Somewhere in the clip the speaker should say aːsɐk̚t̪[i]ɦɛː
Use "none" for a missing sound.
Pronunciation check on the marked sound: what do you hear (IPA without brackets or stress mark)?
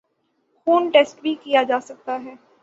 a